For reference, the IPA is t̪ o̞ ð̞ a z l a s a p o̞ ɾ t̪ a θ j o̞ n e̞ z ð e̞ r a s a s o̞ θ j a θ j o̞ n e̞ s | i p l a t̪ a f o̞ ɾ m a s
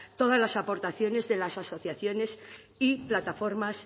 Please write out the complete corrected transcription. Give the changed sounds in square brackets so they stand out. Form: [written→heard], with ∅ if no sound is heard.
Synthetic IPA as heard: t̪ o̞ ð̞ a z l a s a p o̞ ɾ t̪ a θ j o̞ n e̞ z ð e̞ [r→l] a s a s o̞ θ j a θ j o̞ n e̞ s | i p l a t̪ a f o̞ ɾ m a s